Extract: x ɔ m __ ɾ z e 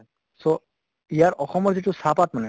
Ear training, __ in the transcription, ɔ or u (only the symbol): ɔ